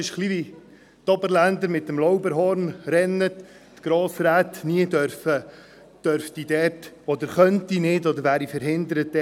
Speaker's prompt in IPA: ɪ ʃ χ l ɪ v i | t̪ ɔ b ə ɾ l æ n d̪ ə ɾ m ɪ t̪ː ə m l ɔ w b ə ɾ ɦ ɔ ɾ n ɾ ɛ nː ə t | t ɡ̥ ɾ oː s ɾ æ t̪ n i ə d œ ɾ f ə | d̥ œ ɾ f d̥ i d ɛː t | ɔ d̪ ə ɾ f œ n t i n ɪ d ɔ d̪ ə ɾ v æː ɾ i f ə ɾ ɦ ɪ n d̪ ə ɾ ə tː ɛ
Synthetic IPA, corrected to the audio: ɪ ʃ χ l i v i | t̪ ɔ b ə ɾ l æ n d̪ ə ɾ m ɪ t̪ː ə m l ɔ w b ə ɾ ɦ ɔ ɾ n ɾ ɛ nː ə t | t ɡ̥ ɾ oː s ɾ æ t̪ n i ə d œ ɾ f ə | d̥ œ ɾ f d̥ i d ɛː t | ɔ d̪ ə ɾ χ œ n t i n ɪ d ɔ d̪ ə ɾ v æː ɾ i f ə ɾ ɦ ɪ n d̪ ə ɾ ə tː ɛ